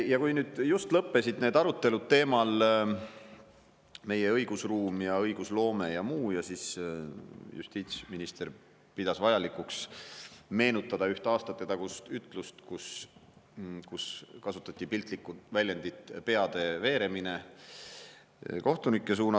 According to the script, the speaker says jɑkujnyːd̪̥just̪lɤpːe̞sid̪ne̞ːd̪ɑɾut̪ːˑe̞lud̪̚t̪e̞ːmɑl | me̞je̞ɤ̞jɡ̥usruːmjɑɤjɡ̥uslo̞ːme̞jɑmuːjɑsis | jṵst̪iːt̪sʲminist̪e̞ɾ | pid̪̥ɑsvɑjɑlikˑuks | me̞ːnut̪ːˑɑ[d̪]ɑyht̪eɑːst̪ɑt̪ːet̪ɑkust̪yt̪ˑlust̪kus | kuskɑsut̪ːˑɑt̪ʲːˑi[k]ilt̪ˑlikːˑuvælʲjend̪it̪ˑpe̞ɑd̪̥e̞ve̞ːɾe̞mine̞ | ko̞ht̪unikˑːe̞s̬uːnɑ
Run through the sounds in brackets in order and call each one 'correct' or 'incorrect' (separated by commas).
correct, incorrect